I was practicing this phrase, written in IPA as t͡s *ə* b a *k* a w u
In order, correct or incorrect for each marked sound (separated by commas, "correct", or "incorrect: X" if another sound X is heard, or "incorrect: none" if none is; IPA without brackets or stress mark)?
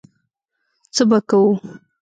correct, correct